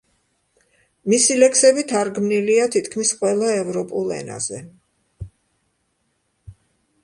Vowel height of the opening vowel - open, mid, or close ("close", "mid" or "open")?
close